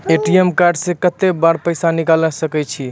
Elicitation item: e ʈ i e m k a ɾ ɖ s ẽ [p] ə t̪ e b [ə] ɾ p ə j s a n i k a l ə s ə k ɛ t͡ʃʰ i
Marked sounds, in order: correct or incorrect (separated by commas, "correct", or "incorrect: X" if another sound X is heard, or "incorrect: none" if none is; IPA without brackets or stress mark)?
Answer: incorrect: k, incorrect: a